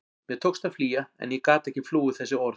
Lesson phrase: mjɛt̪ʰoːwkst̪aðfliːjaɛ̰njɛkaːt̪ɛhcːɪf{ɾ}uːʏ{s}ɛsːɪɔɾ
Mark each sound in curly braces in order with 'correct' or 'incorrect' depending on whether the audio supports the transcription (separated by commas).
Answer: incorrect, incorrect